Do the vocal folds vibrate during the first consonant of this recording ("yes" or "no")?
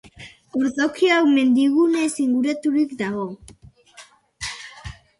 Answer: yes